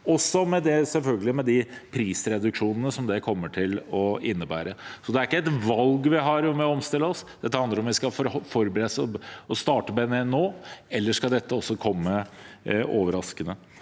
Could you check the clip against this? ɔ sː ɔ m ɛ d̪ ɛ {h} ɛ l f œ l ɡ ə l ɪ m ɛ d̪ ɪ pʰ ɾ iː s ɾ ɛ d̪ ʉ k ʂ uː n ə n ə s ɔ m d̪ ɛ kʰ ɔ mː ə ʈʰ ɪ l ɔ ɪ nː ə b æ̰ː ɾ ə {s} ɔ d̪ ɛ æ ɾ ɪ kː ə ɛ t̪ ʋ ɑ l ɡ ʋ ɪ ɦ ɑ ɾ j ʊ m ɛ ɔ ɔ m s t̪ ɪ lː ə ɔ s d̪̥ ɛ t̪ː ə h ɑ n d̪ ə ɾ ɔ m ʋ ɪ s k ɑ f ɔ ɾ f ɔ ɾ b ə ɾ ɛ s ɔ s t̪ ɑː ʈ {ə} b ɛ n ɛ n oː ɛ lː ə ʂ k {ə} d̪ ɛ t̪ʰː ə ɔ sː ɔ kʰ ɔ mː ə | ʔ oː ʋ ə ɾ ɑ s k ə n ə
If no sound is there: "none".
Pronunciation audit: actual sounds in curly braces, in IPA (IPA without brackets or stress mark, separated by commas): s, s, ə, ɑ